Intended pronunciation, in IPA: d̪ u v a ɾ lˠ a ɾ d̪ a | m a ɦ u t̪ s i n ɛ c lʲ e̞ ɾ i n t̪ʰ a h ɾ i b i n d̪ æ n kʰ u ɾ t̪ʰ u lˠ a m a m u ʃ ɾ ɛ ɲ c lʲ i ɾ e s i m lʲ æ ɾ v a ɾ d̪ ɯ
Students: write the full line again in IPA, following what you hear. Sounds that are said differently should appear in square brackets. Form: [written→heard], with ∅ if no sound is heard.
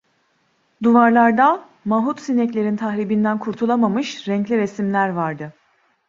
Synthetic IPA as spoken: d̪ u v a ɾ lˠ a ɾ d̪ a | m a ɦ u t̪ s i n ɛ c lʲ e̞ ɾ i n t̪ʰ a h ɾ i b i n d̪ æ n kʰ u ɾ t̪ʰ u lˠ a m a m [u→ɯ] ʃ ɾ ɛ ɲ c lʲ i ɾ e s i m lʲ æ ɾ v a ɾ d̪ ɯ